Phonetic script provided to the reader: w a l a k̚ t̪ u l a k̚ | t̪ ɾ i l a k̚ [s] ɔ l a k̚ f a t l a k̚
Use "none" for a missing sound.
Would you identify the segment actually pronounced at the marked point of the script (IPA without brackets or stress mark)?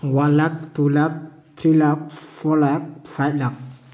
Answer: f